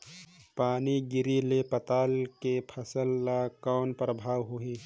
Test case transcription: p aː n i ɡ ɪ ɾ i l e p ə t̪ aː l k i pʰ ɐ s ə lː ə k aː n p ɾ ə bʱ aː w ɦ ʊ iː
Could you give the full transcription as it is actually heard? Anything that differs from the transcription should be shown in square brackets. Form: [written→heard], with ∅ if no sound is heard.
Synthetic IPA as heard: p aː n i ɡ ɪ ɾ i l e p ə t̪ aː l k [i→e] pʰ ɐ s ə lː [ə→a] k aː n p ɾ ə bʱ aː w ɦ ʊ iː